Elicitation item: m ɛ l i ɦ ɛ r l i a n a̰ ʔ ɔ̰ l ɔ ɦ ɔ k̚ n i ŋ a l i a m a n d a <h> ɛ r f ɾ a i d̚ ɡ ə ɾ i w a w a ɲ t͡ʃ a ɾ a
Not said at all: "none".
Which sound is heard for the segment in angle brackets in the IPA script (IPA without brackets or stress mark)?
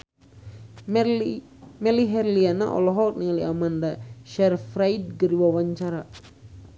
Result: ʃ